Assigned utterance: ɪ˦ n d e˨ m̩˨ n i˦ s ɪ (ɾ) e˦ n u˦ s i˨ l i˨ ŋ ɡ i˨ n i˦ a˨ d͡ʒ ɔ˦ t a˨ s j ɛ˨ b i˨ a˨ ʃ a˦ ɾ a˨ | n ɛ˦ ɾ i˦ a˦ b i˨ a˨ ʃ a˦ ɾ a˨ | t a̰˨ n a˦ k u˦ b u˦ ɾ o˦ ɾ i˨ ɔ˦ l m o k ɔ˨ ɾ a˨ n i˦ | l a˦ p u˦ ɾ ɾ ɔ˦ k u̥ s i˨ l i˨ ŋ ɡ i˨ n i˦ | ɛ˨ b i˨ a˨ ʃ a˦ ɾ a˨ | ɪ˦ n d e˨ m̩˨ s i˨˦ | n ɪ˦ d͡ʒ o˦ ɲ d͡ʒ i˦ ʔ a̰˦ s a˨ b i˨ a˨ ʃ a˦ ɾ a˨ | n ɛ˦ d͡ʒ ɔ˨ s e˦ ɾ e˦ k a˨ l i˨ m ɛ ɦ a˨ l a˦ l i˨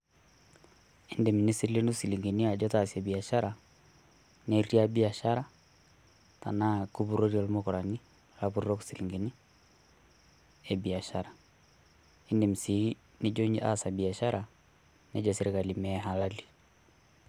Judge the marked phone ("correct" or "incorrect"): incorrect